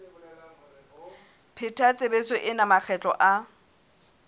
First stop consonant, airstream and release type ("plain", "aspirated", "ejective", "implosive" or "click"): aspirated